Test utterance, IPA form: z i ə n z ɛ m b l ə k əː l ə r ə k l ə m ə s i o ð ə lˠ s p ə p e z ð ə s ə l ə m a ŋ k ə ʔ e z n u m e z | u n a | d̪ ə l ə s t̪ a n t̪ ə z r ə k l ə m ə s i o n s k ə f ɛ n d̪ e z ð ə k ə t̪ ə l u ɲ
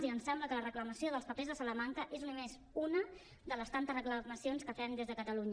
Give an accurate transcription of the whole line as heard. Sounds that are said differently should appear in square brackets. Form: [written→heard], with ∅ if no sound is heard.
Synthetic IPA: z i ə n [z→s] ɛ m b l ə k [əː→ə] l ə r ə k l ə m ə s i o ð ə lˠ s p ə p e z ð ə s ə l ə m a ŋ k ə ʔ e z n u m e z | u n [a→ə] | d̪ ə l ə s t̪ a n t̪ ə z r ə k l ə m ə s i o n s k ə f ɛ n d̪ e z ð ə k ə t̪ ə l u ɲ